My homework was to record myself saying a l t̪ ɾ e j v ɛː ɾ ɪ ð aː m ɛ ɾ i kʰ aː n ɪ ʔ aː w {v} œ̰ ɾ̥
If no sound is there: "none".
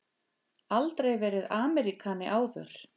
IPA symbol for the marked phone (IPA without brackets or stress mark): ð